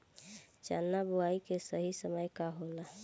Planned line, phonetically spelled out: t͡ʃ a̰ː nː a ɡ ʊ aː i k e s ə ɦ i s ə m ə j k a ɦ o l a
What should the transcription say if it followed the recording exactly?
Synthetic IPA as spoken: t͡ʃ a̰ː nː a b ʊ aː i k e s ə ɦ i s ə m ə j k a ɦ o l a